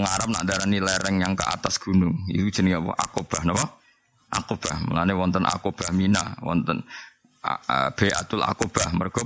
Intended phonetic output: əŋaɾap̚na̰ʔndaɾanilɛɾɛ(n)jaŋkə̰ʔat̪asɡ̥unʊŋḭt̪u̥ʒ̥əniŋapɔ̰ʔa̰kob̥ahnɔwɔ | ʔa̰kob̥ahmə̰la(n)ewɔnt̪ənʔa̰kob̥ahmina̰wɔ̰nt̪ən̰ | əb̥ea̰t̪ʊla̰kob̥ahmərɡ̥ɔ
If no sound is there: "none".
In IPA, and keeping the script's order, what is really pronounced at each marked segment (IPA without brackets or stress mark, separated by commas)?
ŋ, n